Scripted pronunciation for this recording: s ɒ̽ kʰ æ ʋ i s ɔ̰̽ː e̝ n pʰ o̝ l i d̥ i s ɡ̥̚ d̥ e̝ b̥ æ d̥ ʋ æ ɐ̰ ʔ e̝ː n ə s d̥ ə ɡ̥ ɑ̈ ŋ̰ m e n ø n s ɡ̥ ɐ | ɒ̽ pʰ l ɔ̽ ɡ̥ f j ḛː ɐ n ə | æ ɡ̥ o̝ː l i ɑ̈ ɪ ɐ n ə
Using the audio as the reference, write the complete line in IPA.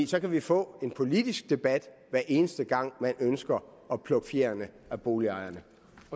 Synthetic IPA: s ɒ̽ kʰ æ ʋ i f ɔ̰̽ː e̝ n pʰ o̝ l i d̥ i s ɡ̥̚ d̥ e̝ b̥ æ d̥ ʋ æ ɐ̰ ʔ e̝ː n ə s d̥ ə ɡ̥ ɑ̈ ŋ̰ m æ n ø n s ɡ̥ ɐ | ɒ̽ pʰ l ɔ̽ ɡ̥ f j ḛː ɐ n ə | æ b̥ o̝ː l i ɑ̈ ɪ ɐ n ə

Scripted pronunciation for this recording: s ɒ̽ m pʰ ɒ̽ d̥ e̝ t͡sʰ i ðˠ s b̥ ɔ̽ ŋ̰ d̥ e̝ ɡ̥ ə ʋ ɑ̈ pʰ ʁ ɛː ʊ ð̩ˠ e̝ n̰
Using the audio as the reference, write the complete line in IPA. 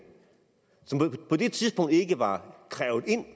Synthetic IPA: s ɒ̽ m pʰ ɒ̽ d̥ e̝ t͡sʰ i ðˠ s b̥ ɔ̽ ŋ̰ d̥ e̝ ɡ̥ ə ʋ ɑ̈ kʰ ʁ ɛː ʊ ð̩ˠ e̝ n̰

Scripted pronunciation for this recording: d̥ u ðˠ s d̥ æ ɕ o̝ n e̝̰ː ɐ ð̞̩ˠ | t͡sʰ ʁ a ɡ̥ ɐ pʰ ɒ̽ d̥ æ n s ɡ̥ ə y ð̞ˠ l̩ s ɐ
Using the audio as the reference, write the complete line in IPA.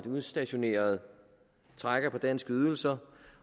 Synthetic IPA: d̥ u ðˠ s d̥ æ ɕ o̝ n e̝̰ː ɐ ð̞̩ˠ | t͡sʰ ʁ a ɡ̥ ɐ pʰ ɒ̽ d̥ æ n s ɡ̥ ə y ð̞ˠ l̩ s ɐ

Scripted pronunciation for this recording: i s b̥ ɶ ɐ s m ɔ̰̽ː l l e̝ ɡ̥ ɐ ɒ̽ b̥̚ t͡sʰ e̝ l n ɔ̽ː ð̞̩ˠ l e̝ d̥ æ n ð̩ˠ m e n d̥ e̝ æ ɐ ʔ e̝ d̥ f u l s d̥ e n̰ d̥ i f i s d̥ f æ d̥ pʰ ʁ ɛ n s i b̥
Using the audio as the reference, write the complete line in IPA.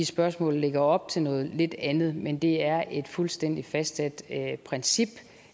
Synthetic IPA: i s b̥ ɶ ɐ s m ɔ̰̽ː l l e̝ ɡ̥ ɐ ɒ̽ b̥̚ t͡sʰ e̝ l n ɔ̽ː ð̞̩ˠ l e̝ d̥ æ n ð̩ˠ m e n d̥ e̝ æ ɐ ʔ e̝ d̥ f u l s d̥ e n̰ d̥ i f æ s d̥ s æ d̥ pʰ ʁ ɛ n s i b̥

